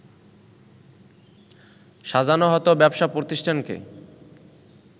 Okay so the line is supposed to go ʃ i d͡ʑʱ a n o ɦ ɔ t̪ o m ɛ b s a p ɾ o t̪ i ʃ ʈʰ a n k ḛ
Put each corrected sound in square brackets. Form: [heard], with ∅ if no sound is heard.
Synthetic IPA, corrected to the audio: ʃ [a] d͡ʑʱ a n o ɦ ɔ t̪ o [b] ɛ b [ʃ] a p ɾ o t̪ i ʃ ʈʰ a n k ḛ